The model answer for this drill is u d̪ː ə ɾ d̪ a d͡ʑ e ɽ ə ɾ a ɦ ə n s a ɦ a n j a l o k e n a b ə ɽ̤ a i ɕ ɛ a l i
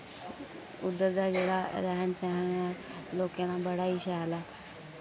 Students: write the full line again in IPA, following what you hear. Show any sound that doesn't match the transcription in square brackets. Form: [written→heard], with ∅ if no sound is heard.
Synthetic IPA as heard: u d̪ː ə ɾ d̪ a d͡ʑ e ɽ [ə→a] ɾ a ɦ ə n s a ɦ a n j a l o k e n a b ə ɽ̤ a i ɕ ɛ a l [i→a]